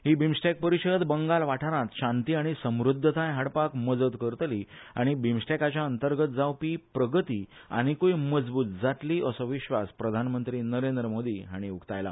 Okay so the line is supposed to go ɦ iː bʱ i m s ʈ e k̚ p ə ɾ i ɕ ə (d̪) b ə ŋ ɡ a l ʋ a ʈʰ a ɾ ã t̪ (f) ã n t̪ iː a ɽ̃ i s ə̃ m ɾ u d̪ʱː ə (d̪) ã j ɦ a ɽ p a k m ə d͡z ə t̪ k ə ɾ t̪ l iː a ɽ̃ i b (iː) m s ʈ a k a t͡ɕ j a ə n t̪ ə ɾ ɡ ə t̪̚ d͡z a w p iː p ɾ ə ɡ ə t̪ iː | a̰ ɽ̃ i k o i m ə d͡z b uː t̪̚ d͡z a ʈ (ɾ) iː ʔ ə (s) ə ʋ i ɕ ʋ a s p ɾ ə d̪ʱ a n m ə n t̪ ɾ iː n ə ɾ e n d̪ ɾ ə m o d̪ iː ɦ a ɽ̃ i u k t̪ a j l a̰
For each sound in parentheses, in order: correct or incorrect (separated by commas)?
correct, incorrect, incorrect, incorrect, incorrect, correct